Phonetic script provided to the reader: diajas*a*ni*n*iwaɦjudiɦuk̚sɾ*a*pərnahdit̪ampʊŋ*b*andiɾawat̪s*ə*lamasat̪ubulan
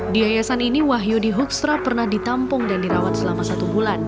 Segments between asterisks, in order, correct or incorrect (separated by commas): correct, correct, correct, incorrect, correct